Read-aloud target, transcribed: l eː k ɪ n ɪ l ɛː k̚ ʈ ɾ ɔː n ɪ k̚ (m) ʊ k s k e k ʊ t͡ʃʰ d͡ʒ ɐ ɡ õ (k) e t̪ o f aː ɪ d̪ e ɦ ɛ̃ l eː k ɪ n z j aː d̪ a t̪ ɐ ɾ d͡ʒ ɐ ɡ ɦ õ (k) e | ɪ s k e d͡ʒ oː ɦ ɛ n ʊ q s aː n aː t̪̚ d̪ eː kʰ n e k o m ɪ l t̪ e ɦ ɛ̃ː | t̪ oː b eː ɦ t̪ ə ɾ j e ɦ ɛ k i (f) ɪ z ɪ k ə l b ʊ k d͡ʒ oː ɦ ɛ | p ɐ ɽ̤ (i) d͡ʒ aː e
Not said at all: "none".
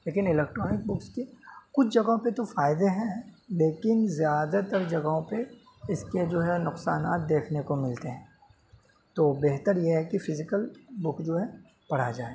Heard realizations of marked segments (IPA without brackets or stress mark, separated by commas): b, p, p, f, a